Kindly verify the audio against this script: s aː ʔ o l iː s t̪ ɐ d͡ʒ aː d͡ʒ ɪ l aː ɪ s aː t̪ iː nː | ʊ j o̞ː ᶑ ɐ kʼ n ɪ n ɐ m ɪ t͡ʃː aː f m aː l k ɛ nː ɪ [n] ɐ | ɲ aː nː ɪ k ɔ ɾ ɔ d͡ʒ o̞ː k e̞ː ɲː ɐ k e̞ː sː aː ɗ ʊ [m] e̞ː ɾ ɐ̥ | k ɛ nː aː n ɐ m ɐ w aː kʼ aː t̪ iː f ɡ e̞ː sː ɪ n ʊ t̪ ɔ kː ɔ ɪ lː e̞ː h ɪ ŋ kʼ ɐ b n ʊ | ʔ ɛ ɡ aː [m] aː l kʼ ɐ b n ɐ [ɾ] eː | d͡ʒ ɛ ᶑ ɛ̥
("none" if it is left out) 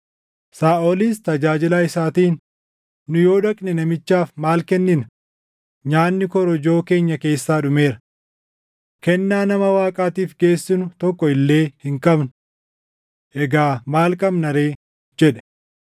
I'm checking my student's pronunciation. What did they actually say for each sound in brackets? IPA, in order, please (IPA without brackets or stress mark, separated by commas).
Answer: n, m, m, ɾ